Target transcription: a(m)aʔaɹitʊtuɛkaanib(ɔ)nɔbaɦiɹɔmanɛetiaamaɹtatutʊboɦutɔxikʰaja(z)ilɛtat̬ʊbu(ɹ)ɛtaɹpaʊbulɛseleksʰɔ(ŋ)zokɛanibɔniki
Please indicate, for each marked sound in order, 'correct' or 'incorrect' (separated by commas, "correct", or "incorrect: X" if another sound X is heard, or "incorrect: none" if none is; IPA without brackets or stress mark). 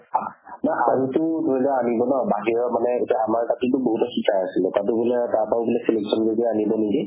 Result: incorrect: n, correct, incorrect: s, incorrect: l, incorrect: n